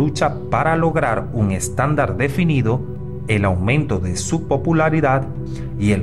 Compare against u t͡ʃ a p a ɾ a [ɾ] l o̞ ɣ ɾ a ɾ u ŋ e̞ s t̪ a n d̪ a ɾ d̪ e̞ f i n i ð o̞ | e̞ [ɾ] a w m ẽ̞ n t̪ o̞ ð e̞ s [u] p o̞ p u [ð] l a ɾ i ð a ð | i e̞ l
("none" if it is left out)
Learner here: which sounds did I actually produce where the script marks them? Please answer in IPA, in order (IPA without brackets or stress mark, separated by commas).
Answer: none, l, u, none